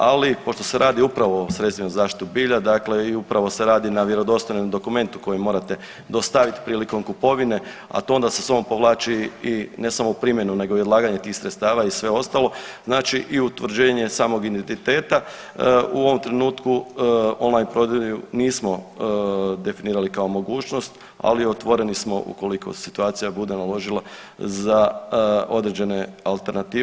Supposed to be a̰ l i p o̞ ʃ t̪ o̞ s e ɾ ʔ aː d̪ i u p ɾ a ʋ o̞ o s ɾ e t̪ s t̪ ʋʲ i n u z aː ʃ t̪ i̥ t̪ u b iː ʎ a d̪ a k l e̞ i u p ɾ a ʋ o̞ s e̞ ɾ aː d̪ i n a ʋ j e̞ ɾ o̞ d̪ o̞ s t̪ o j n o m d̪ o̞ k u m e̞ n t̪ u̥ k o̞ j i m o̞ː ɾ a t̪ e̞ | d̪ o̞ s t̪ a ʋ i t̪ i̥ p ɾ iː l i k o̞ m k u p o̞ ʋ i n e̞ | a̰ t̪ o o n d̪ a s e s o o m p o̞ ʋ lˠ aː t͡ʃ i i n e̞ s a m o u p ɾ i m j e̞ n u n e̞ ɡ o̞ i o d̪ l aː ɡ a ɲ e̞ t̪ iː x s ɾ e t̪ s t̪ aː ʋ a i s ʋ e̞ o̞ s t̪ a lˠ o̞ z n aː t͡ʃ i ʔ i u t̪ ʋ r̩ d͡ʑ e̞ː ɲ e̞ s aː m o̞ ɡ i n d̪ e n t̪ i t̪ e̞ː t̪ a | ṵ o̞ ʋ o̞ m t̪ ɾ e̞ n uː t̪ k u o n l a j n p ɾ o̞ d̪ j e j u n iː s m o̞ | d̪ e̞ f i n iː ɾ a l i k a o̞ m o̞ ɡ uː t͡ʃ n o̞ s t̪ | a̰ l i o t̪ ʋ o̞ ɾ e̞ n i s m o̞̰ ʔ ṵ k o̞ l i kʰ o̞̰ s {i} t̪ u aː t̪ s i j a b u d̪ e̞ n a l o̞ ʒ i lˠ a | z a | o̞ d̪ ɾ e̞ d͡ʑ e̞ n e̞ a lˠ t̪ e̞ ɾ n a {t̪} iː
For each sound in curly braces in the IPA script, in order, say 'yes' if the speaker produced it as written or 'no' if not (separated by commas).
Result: yes, yes